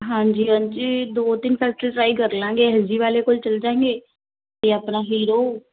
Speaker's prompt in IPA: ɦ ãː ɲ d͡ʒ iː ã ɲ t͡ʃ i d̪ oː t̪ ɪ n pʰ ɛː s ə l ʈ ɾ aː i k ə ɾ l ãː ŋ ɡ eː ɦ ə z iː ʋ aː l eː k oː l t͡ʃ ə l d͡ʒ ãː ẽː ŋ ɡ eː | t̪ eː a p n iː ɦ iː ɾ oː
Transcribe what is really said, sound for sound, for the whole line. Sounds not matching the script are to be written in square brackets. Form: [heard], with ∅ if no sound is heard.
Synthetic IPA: ɦ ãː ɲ d͡ʒ iː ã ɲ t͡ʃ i d̪ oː t̪ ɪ n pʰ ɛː s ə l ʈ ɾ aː i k ə ɾ l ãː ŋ ɡ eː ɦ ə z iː ʋ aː l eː k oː l t͡ʃ ə l d͡ʒ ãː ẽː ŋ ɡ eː | t̪ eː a p n [aː] ɦ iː ɾ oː